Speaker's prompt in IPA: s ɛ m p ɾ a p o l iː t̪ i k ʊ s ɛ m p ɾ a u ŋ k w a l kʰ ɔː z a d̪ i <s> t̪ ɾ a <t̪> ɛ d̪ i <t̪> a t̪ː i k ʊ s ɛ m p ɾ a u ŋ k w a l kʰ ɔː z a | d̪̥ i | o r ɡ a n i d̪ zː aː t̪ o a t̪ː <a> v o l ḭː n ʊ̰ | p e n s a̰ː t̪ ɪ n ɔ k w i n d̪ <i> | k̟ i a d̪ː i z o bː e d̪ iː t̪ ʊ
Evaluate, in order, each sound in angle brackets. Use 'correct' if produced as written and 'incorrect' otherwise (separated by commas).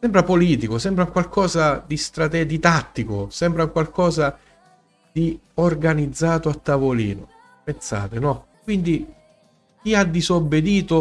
correct, correct, correct, correct, correct